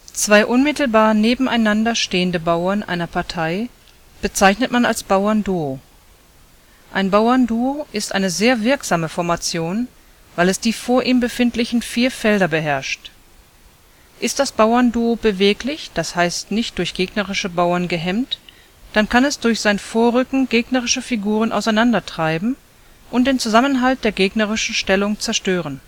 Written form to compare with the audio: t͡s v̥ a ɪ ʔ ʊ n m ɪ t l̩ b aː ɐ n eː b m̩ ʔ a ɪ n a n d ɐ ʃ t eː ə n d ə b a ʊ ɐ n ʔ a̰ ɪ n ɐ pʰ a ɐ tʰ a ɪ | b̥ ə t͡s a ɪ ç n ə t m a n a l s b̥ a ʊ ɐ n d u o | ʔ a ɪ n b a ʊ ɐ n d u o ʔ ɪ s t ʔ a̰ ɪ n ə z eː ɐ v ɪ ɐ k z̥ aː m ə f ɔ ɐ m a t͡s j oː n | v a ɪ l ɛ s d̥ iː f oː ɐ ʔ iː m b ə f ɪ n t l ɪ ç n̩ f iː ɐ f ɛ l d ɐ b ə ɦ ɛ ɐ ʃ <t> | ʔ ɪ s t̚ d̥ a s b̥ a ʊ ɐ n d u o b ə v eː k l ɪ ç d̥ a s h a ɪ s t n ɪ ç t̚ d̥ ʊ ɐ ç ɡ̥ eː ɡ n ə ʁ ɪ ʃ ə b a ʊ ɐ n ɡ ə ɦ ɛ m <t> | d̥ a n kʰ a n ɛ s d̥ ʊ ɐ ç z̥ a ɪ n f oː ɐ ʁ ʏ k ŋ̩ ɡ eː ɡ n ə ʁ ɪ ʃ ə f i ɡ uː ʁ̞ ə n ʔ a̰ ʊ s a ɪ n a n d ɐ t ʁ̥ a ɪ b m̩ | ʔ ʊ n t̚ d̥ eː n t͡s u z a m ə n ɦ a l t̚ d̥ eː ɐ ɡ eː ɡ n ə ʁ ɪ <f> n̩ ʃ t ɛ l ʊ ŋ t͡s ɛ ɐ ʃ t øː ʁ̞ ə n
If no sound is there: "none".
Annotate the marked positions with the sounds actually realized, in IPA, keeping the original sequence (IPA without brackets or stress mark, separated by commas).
t, t, ʃ